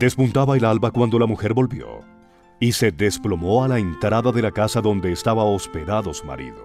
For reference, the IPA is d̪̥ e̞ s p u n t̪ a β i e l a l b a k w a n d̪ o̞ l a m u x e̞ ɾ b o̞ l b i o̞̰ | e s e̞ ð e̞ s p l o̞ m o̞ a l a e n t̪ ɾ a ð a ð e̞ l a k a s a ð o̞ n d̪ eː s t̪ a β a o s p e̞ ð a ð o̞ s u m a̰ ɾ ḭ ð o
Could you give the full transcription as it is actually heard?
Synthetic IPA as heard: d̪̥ e̞ s p u n t̪ a β a e l a l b a k w a n d̪ o̞ l a m u x e̞ ɾ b o̞ l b j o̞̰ | i s e̞ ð e̞ s p l o̞ m o̞ a l a e n t̪ ɾ a ð a ð e̞ l a k a s a ð o̞ n d̪ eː s t̪ a β a o s p e̞ ð a ð o̞ s u m a̰ ɾ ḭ ð o